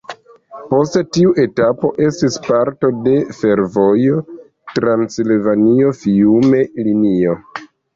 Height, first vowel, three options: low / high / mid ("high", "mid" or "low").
mid